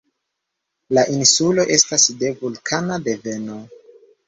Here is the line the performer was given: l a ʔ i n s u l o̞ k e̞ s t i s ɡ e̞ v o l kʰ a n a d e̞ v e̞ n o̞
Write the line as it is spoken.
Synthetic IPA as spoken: l a ʔ i n s u l o̞ ʔ e̞ s t a s d e̞ v u l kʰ a n a d e̞ v e̞ n o̞